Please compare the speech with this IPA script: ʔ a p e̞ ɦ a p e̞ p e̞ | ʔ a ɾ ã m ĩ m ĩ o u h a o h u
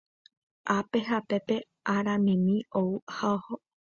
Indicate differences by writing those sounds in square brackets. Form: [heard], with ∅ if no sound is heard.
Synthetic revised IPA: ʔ a p e̞ ɦ a p e̞ p e̞ | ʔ a ɾ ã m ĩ m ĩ o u h a o h [o]